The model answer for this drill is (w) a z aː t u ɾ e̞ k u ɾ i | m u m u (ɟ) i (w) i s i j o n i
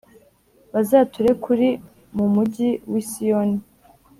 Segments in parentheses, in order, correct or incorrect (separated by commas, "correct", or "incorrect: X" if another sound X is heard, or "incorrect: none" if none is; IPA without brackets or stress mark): incorrect: β, correct, correct